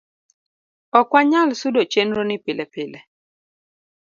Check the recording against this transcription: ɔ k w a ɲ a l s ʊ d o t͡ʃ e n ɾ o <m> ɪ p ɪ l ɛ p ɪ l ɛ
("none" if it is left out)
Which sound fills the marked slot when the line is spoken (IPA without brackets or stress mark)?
n